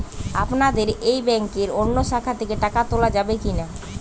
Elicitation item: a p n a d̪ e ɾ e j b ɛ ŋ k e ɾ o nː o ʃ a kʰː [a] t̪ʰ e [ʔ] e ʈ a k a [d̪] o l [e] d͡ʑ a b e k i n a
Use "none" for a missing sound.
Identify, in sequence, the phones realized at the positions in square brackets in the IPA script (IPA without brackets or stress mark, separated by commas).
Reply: a, k, t̪, a